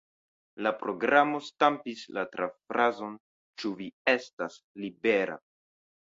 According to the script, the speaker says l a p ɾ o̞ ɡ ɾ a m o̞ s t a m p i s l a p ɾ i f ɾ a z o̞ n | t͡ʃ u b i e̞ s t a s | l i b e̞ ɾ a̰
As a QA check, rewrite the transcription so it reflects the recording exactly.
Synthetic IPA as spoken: l a p ɾ o̞ ɡ ɾ a m o̞ s t a m p i s l a t ɾ a f ɾ a z o̞ n | t͡ʃ u v i e̞ s t a s | l i b e̞ ɾ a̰